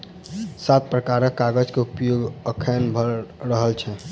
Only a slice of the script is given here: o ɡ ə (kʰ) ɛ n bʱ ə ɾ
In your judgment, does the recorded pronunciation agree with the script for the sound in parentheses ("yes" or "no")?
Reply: yes